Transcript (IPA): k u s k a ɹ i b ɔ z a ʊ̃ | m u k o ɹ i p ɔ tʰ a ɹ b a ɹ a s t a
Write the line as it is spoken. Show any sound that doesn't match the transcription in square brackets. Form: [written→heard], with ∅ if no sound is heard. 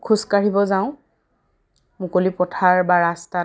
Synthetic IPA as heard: [k→kʰ] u s k a ɹ i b ɔ z a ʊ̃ | m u k o [ɹ→l] i p ɔ tʰ a ɹ b a ɹ a s t a